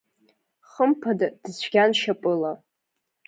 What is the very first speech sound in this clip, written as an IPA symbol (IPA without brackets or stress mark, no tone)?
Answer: χ